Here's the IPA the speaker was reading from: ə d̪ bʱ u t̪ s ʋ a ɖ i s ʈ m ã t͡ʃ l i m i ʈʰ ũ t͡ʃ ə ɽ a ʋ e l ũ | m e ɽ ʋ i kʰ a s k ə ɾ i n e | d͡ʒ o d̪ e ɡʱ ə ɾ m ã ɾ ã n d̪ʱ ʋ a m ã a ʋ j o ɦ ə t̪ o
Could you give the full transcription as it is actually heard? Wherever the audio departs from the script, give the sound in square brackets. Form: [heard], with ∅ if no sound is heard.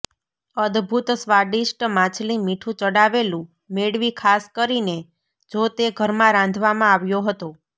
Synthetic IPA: ə d̪ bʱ u t̪ s ʋ a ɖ i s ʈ m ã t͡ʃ l i m i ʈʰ ũ t͡ʃ ə ɽ a ʋ e l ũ | m e ɽ ʋ i kʰ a s k ə ɾ i n e | d͡ʒ o [t̪] e ɡʱ ə ɾ m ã ɾ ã n d̪ʱ ʋ a m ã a ʋ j o ɦ ə t̪ o